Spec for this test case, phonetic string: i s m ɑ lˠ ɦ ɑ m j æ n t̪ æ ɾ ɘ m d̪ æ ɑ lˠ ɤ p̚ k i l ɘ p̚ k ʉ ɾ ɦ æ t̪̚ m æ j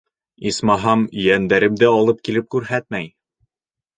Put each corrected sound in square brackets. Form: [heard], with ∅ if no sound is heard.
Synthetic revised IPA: i s m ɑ [∅] ɦ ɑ m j æ n [d̪] æ ɾ ɘ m d̪ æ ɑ lˠ ɤ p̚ k i l ɘ p̚ k ʉ ɾ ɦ æ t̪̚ m æ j